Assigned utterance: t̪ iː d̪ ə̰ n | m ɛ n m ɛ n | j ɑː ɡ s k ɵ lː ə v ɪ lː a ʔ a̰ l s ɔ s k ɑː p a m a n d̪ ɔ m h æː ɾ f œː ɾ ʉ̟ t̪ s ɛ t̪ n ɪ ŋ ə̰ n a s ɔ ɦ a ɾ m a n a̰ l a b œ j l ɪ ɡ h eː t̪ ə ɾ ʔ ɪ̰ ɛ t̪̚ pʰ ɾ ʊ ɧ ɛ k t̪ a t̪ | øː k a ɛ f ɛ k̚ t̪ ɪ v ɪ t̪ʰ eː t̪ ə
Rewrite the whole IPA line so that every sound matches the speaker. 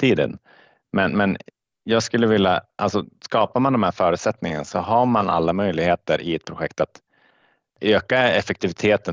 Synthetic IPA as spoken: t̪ iː d̪ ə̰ n | m ɛ n m ɛ n | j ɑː ɡ s k ɵ lː ə v ɪ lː a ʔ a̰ l s ɔ s k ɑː p a m a n d̪ ɔ m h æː ɾ f œː ɾ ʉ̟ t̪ s ɛ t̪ n ɪ ŋ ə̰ n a s ɔ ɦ a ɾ m a n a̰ lː a m œ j l ɪ ɡ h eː t̪ ə ɾ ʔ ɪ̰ ɛ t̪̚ pʰ ɾ ʊ ɧ ɛ k t̪ a t̪ | øː k a ɛ f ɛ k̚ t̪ ɪ v ɪ t̪ʰ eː t̪ ə